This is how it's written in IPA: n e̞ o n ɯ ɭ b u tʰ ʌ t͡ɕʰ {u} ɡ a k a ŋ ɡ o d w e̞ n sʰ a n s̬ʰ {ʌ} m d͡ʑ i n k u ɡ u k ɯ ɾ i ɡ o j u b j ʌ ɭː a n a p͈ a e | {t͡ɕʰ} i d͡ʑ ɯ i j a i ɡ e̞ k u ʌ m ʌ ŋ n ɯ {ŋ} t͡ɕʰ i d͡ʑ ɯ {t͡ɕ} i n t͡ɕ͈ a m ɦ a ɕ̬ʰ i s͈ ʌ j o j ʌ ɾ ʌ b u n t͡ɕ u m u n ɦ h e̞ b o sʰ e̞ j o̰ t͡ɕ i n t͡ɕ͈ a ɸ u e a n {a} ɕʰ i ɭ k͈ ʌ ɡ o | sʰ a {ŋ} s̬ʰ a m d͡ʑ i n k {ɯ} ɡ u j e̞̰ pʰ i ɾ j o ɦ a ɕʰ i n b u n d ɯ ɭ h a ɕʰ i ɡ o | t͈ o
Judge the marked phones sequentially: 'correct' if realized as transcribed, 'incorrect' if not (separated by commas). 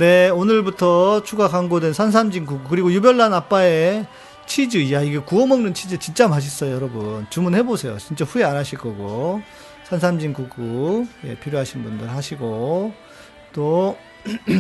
correct, incorrect, correct, incorrect, correct, correct, incorrect, incorrect